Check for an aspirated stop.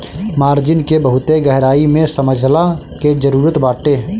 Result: absent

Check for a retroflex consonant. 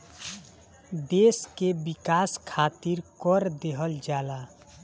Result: absent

